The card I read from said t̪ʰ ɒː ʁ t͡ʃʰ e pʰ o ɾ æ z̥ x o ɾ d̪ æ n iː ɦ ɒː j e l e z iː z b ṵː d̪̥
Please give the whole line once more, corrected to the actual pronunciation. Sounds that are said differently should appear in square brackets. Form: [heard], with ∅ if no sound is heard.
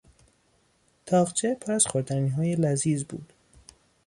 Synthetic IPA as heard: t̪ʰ ɒː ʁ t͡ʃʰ e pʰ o ɾ æ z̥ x o ɾ d̪ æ n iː ɦ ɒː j e l [æ] z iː z b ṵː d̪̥